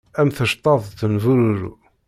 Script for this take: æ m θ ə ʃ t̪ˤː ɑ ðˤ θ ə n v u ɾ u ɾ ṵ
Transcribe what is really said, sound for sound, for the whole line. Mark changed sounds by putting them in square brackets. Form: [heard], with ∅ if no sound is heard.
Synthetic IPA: æ m θ ə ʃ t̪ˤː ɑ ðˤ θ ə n v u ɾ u ɾ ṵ